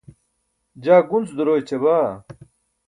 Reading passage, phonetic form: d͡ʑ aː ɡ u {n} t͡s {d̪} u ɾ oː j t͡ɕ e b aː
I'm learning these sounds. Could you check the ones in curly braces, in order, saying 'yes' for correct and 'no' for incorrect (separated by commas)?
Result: yes, yes